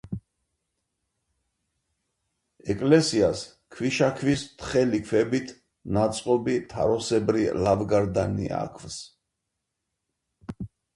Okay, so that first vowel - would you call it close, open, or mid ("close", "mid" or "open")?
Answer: mid